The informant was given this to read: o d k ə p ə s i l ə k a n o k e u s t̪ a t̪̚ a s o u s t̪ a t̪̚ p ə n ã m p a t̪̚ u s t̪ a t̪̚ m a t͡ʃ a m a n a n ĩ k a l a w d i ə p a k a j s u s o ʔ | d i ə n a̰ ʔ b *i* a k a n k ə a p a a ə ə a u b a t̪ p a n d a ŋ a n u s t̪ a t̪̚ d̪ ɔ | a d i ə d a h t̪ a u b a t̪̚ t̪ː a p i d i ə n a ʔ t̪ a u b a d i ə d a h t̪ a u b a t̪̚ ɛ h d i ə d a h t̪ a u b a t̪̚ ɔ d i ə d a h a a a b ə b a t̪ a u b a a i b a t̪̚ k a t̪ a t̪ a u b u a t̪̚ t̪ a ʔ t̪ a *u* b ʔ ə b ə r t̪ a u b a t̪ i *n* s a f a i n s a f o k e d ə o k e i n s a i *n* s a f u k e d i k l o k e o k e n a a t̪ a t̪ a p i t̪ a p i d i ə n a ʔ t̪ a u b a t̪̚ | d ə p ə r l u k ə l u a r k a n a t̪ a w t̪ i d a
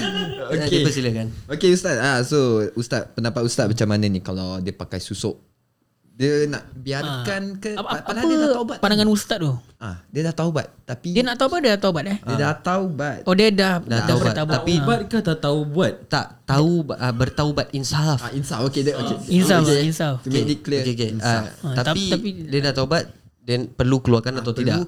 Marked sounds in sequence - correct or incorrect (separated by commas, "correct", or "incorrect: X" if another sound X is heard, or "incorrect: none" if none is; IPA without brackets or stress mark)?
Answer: correct, correct, correct, correct